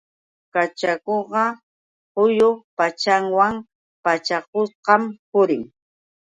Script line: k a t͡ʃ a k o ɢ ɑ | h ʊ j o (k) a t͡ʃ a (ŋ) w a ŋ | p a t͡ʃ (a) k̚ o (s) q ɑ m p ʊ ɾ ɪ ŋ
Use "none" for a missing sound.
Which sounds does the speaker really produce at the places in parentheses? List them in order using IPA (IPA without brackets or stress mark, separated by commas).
p, ŋ, a, s